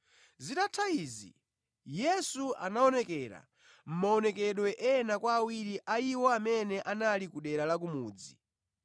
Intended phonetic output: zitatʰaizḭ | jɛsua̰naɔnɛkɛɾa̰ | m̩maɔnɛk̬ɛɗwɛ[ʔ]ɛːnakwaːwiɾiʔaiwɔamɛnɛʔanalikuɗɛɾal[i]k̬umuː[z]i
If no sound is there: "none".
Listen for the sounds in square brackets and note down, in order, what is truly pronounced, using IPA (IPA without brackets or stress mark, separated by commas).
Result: ʔ, a, d͡z